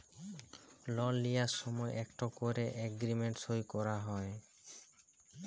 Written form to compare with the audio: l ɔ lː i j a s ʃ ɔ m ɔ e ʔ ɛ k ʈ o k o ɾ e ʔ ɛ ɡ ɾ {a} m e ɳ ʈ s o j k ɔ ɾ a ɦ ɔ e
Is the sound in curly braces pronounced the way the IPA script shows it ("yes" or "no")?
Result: no